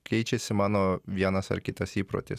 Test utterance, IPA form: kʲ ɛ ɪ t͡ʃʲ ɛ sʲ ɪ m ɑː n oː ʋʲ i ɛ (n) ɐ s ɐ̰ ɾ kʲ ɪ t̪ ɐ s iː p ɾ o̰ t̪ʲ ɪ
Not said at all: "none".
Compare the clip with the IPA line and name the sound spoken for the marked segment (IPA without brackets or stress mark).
n